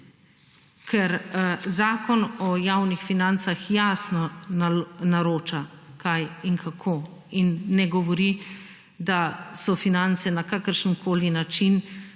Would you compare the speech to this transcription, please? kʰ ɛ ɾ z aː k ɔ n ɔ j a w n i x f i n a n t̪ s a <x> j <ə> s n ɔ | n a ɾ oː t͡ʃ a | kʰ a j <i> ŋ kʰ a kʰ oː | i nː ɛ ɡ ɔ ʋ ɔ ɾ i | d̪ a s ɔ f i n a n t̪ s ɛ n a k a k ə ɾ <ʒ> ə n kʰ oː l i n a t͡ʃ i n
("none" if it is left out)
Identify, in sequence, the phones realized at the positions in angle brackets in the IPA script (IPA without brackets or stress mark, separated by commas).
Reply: x, a, i, ʃ